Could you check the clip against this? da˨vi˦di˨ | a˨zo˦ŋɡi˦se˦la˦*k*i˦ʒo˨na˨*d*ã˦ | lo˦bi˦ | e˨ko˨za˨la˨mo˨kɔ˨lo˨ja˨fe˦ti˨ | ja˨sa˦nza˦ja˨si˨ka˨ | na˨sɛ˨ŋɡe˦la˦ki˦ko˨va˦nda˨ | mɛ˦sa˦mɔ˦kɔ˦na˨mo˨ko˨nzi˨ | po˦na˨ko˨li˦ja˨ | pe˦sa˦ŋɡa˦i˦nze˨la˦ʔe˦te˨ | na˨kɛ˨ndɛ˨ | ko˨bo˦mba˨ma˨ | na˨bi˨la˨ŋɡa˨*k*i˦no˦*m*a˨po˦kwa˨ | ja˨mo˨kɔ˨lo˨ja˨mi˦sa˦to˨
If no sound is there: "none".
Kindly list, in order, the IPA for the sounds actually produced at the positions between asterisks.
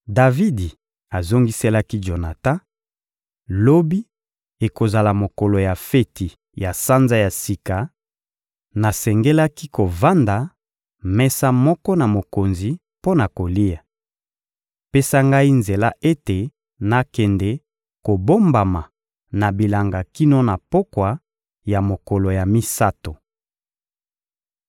k, t, k, n

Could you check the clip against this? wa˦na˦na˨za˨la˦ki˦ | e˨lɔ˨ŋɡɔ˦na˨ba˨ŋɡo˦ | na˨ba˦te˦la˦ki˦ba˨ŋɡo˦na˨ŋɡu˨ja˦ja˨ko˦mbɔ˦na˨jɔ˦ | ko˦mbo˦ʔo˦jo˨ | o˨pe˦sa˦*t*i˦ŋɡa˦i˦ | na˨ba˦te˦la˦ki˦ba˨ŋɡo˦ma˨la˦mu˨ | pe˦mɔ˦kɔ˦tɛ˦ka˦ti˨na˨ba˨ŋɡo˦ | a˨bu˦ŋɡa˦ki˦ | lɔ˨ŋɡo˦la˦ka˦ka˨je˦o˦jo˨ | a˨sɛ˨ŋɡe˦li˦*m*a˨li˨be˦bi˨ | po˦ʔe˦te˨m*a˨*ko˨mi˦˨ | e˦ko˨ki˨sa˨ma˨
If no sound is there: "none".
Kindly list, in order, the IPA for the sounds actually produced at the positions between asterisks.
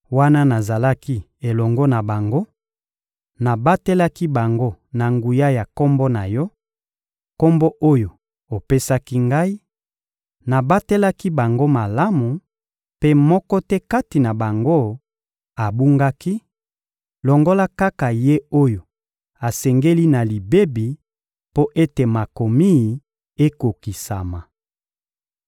k, n, a˨

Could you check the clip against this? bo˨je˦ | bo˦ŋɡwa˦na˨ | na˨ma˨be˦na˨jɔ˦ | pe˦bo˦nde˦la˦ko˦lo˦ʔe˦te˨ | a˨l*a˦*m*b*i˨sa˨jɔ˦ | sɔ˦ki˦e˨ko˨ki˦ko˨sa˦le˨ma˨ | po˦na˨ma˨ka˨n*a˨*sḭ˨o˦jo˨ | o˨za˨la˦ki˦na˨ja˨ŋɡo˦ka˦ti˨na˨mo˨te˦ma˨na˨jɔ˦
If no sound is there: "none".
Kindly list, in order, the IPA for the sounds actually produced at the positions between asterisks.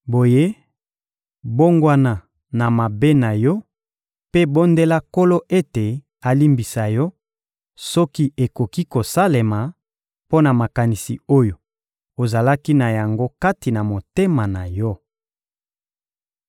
i˦, b, i˨

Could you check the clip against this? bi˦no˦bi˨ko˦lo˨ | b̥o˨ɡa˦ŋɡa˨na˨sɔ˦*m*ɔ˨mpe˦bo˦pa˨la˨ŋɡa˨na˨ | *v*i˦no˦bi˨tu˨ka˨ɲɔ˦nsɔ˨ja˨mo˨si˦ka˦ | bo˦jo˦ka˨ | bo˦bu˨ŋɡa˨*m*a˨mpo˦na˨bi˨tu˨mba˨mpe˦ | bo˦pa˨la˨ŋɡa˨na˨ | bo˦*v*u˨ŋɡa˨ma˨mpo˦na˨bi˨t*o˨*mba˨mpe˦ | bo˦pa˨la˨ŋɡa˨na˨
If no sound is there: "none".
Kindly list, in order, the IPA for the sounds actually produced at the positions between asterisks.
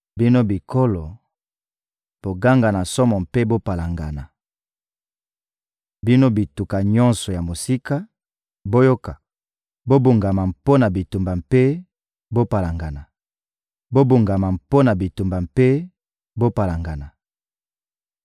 m, b, m, b, u˨

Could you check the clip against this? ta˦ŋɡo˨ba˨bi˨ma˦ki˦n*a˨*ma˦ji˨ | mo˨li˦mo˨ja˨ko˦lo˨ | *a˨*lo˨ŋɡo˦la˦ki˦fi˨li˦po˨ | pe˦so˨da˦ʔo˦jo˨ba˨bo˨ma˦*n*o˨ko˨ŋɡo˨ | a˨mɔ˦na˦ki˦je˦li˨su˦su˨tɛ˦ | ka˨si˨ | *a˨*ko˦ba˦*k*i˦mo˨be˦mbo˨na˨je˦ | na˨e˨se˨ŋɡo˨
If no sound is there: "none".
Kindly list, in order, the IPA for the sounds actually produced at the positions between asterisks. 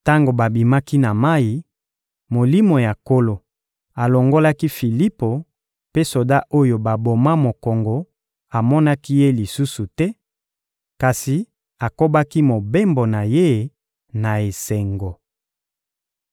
a˨, a˨, m, a˨, k

